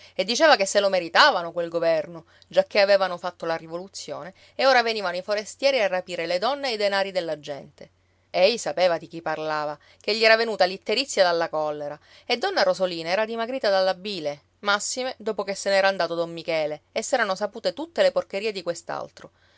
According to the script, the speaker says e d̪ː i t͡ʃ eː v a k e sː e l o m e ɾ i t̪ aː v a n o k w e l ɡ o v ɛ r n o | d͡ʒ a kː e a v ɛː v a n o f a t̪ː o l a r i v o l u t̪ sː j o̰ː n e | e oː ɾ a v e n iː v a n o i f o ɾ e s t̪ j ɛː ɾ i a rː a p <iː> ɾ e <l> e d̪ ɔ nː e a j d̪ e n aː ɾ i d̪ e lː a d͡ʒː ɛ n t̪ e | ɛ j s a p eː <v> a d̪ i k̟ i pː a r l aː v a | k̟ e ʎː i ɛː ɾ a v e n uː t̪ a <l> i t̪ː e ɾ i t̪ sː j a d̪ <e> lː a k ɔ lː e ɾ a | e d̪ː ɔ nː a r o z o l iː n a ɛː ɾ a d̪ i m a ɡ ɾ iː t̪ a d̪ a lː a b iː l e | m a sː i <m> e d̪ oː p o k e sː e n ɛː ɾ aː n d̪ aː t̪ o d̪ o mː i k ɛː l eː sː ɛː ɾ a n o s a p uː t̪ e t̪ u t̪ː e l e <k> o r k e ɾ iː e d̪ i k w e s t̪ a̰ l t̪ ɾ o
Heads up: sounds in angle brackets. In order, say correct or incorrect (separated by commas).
correct, correct, correct, correct, incorrect, correct, incorrect